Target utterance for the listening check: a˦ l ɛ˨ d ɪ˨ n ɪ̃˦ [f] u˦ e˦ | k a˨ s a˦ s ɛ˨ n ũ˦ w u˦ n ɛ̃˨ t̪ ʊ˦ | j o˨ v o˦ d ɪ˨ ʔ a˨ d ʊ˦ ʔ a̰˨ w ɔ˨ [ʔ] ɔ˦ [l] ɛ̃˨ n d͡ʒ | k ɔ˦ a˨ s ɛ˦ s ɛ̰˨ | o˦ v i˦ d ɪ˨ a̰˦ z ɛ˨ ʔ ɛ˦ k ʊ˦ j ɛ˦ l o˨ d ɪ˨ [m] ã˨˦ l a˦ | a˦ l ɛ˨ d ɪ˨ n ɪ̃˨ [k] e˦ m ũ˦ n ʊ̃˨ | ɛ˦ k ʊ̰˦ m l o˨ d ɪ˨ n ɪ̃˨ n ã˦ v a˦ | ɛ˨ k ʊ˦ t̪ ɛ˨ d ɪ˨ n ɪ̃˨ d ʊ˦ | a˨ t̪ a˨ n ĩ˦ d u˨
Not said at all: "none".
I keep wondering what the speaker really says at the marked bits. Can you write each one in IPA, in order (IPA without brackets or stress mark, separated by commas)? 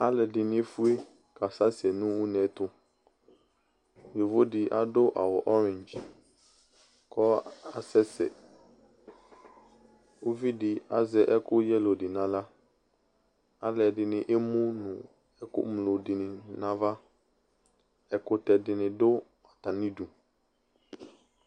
f, ʔ, ɾ, n, ʔ